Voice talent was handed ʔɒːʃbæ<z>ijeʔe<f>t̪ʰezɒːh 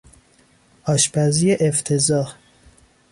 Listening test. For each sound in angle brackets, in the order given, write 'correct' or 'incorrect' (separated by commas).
correct, correct